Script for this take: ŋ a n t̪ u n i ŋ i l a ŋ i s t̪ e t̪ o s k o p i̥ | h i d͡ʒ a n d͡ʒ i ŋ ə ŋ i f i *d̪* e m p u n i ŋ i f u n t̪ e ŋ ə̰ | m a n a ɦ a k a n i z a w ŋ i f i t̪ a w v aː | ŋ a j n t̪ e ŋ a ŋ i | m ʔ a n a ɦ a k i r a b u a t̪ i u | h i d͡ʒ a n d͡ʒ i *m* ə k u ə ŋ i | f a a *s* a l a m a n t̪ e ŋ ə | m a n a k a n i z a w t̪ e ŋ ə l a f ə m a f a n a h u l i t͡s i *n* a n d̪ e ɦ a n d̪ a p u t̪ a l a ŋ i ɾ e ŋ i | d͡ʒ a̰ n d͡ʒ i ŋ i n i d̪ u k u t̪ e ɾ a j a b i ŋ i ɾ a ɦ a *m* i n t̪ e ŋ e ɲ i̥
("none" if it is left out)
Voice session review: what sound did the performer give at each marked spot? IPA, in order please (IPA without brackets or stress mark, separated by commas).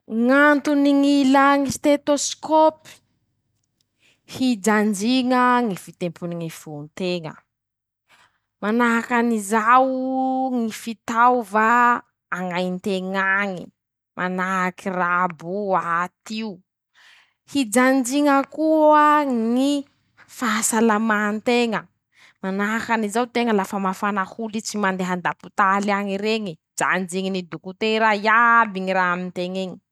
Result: t̪, ŋ, s, m, m